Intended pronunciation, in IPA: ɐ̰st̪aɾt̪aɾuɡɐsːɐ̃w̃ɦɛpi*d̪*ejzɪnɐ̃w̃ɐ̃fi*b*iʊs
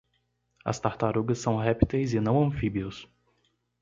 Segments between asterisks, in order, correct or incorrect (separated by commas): incorrect, correct